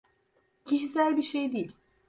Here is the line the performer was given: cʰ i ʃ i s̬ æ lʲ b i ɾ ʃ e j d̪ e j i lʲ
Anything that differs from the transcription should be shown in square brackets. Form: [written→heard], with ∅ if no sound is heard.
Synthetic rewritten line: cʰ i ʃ i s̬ æ lʲ b i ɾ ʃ e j d̪ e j i lʲ

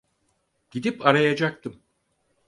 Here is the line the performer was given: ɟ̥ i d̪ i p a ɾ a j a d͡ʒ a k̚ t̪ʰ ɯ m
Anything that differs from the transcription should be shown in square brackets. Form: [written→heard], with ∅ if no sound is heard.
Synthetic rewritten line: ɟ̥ i d̪ i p a ɾ a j a d͡ʒ a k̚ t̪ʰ ɯ m

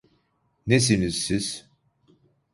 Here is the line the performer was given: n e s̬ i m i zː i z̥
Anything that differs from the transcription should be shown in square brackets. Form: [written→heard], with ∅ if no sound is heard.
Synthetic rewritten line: n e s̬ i [m→n] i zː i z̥

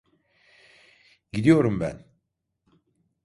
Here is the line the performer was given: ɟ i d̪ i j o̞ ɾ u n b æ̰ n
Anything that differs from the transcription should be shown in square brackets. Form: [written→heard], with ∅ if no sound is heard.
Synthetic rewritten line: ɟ i d̪ i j o̞ ɾ u [n→m] b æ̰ n

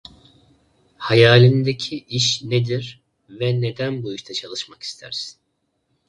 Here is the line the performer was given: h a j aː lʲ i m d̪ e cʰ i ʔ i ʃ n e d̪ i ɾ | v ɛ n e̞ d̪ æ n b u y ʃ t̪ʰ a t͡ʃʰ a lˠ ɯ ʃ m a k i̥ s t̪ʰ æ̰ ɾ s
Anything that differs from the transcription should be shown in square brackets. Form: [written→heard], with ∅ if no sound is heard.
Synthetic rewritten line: h a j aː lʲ i [m→n] d̪ e cʰ i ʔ i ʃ n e d̪ i ɾ | v ɛ n e̞ d̪ æ n b u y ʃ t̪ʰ a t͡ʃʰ a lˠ ɯ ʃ m a k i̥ s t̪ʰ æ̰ ɾ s

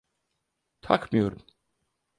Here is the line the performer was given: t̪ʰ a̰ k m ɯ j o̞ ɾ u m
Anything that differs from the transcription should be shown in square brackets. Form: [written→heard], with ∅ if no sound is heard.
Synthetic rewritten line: t̪ʰ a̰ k m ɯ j o̞ ɾ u m

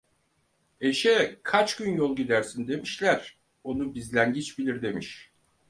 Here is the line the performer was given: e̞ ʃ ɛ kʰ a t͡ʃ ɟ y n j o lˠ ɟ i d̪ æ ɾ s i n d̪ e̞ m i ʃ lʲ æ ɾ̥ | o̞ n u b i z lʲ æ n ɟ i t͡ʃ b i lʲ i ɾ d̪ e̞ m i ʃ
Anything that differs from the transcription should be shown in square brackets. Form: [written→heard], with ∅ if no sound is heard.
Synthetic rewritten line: e̞ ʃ ɛ kʰ a t͡ʃ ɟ y n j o lˠ ɟ i d̪ æ ɾ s i n d̪ e̞ m i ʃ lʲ æ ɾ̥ | o̞ n u b i z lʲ æ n ɟ i t͡ʃ b i lʲ i ɾ d̪ e̞ m i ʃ

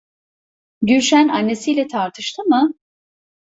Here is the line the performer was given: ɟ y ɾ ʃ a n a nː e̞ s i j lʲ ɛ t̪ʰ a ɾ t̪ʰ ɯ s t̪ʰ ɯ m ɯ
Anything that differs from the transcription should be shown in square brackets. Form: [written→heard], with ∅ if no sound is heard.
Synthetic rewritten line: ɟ y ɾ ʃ [a→æ] n a nː e̞ s i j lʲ ɛ t̪ʰ a ɾ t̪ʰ ɯ [s→ʃ] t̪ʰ ɯ m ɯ

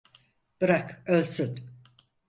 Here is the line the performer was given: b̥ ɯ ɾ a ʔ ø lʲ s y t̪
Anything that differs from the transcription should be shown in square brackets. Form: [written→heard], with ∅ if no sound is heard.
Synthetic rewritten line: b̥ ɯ ɾ a [ʔ→k] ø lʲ s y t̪

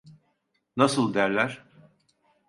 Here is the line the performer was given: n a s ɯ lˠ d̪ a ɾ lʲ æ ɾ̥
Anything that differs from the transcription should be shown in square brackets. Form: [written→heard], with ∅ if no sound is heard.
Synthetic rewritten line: n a s ɯ lˠ d̪ [a→æ] ɾ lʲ æ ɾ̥

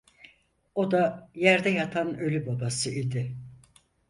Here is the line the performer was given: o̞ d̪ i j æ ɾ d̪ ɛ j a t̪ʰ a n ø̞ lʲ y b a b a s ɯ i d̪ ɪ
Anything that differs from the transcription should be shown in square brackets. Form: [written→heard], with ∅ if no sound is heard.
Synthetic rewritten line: o̞ d̪ [i→a] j æ ɾ d̪ ɛ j a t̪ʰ a n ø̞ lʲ y b a b a s ɯ i d̪ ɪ

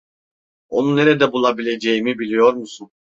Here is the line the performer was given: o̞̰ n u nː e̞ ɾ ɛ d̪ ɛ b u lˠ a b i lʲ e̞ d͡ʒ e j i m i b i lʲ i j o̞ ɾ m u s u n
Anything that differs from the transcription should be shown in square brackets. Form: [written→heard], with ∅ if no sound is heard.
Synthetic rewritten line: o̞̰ n u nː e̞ ɾ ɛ d̪ ɛ b u lˠ a b i lʲ e̞ d͡ʒ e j i m i b i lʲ i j o̞ ɾ m u s u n

